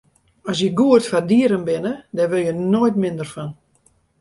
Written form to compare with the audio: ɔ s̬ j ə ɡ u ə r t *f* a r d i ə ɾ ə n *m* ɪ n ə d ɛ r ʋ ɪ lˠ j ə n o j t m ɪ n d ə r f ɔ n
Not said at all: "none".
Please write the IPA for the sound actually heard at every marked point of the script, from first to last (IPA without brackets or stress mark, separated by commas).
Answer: f, b